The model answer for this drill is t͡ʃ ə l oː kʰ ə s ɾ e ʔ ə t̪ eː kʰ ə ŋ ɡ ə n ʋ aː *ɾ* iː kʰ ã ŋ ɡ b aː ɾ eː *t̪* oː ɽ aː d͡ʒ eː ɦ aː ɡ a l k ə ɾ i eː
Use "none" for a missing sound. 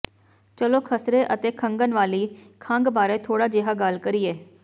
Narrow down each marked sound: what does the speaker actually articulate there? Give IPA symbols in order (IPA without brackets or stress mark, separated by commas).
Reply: l, t̪ʰ